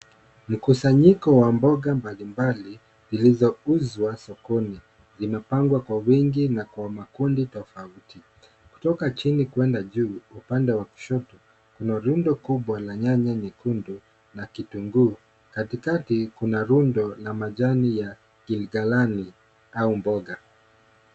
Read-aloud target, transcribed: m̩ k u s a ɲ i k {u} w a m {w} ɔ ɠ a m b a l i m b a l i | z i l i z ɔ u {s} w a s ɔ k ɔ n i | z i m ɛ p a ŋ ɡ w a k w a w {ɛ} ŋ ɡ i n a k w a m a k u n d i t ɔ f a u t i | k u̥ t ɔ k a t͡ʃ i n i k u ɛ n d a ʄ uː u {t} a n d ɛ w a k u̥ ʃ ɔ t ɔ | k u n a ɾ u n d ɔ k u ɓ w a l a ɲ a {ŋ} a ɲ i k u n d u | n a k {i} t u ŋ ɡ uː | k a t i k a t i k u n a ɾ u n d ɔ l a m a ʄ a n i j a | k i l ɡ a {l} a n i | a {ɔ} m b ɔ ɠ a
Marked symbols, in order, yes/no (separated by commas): no, no, no, no, no, no, yes, yes, no